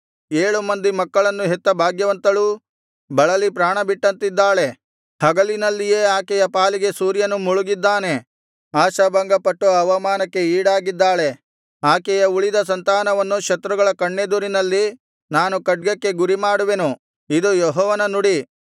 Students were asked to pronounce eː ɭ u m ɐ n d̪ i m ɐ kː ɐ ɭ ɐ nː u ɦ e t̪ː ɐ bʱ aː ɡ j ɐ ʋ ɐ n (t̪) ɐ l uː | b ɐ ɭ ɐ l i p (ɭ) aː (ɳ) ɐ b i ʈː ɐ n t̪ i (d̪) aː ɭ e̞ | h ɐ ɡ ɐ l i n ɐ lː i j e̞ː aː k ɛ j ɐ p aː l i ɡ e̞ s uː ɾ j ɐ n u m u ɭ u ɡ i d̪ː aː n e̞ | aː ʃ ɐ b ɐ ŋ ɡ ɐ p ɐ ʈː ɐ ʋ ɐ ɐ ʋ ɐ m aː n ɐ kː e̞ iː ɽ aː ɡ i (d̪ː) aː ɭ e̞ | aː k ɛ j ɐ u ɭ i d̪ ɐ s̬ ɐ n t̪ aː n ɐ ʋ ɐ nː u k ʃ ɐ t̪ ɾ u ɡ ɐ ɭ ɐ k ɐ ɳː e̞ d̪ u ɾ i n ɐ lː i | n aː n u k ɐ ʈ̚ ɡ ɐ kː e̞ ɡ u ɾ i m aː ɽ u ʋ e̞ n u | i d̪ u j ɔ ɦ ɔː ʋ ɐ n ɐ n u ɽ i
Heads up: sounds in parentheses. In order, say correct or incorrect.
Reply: correct, incorrect: ɾ, correct, incorrect: d̪ː, correct

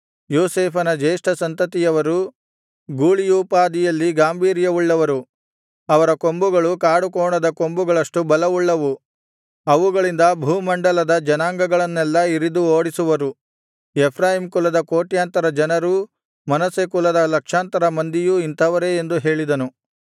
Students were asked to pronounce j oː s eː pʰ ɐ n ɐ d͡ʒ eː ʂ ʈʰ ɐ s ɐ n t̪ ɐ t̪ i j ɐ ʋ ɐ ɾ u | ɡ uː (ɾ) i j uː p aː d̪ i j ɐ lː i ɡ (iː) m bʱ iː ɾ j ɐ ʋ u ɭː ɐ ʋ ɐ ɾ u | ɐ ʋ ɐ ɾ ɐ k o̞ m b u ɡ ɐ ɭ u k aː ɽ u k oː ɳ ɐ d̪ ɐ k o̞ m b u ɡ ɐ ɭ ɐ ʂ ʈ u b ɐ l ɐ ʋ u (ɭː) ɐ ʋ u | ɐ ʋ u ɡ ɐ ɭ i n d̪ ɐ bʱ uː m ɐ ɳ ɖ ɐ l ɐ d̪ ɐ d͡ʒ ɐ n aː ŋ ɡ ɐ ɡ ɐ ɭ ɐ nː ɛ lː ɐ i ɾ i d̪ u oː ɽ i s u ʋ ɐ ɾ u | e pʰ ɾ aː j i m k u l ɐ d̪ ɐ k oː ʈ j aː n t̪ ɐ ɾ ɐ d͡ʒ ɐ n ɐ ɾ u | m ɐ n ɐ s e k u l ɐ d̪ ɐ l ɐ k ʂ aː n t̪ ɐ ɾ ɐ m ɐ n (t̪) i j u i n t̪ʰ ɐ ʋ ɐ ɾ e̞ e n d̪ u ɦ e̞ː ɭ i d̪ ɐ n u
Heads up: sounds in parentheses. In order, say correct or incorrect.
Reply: incorrect: ɭ, incorrect: aː, correct, incorrect: d̪

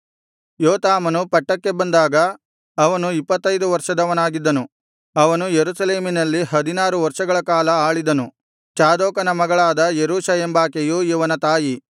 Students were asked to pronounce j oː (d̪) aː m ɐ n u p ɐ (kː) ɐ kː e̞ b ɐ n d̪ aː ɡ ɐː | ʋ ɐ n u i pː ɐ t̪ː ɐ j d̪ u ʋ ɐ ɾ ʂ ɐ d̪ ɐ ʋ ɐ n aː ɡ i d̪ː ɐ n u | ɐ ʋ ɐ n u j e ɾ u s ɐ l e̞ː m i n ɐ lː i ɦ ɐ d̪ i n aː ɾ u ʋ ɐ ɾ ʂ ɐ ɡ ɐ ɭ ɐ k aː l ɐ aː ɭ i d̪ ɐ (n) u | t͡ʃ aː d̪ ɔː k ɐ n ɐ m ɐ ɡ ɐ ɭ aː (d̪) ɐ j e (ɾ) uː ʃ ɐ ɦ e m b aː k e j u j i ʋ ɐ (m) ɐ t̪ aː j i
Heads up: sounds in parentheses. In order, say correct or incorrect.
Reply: incorrect: t̪, incorrect: ʈː, correct, correct, correct, incorrect: n

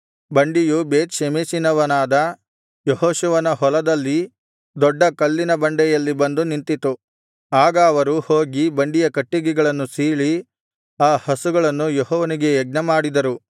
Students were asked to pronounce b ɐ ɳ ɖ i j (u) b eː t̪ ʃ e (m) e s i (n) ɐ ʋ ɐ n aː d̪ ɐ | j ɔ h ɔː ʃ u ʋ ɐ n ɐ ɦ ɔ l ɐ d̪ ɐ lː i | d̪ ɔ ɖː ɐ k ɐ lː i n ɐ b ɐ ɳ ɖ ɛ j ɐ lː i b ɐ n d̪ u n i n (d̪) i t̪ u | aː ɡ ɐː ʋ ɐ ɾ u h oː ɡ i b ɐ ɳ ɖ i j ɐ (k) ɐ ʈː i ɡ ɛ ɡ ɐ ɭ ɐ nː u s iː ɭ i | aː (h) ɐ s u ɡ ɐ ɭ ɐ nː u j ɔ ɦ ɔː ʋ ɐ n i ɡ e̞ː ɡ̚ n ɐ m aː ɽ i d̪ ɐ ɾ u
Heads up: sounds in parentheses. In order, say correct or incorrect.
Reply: correct, correct, correct, incorrect: t̪, correct, correct

